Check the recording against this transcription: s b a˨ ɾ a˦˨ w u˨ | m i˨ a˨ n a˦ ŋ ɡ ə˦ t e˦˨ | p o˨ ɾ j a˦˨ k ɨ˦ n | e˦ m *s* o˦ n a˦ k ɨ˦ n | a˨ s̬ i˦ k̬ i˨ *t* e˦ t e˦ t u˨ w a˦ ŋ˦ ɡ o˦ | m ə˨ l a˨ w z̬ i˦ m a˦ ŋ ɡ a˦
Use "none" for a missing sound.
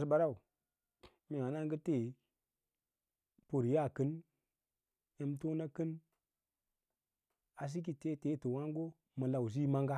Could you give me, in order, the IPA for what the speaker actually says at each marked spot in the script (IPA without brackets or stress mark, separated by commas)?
t, t